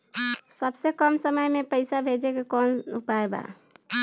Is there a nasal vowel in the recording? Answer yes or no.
no